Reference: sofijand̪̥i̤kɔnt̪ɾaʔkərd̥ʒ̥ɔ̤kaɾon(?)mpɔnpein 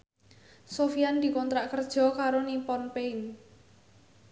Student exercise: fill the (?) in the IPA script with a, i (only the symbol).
i